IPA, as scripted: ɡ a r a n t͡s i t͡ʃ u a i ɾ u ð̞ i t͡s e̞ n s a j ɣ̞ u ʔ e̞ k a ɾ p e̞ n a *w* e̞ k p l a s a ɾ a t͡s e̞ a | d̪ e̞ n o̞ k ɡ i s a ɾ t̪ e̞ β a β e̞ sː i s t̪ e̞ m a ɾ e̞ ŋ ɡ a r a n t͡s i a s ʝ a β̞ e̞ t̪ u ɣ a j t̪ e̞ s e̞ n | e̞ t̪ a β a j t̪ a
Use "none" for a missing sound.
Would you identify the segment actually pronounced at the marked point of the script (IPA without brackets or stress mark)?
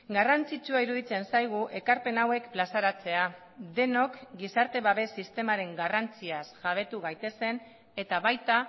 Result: w